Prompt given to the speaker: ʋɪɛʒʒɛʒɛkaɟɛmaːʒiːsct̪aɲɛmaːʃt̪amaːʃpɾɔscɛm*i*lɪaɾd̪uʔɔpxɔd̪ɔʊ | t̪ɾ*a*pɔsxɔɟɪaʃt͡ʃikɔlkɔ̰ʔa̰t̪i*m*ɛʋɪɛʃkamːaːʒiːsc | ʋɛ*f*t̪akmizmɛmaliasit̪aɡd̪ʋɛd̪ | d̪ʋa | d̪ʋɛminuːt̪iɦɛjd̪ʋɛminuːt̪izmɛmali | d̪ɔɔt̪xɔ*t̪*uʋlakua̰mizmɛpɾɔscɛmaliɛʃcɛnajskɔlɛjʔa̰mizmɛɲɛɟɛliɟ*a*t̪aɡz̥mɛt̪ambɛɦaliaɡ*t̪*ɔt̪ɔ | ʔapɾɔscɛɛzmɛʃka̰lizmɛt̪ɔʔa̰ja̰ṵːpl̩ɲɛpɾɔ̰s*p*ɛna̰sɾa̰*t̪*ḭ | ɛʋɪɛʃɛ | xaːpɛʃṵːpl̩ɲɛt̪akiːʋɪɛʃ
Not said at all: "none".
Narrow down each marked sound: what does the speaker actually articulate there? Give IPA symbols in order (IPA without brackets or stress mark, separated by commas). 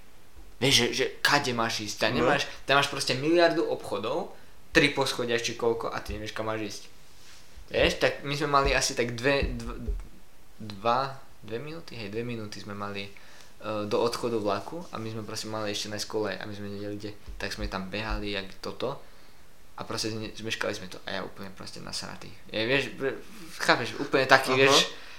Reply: i, i, ɲ, ʃ, d̪, ɛ, t̪, c, t̪